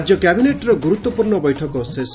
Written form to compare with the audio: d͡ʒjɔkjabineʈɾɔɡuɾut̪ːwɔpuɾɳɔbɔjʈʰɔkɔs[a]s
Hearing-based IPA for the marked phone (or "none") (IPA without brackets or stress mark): e